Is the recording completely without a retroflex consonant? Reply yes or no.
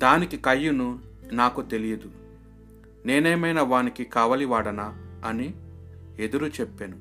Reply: no